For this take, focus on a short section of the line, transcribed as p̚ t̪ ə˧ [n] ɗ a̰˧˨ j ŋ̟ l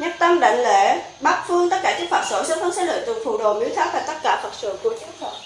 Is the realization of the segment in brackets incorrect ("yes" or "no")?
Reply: yes